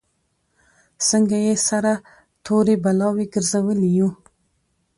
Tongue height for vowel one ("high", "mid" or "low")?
mid